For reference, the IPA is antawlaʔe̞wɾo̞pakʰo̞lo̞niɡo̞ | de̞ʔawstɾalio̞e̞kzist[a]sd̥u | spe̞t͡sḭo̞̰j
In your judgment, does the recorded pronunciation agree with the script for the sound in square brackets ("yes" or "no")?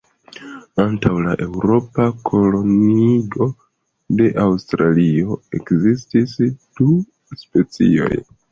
no